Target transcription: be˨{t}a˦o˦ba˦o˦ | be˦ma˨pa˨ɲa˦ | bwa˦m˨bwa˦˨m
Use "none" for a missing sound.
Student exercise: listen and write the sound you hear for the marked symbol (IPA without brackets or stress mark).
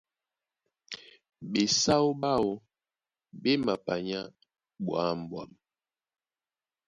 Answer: s